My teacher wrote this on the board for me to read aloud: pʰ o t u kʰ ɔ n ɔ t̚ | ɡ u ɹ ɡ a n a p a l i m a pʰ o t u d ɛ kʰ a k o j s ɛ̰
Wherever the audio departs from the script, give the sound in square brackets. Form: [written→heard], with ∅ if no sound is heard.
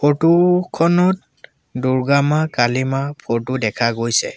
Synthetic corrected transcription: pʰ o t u kʰ ɔ n ɔ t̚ | [ɡ→d] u ɹ ɡ a [n→m] a [p→k] a l i m a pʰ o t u d ɛ kʰ a [k→ɡ] o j s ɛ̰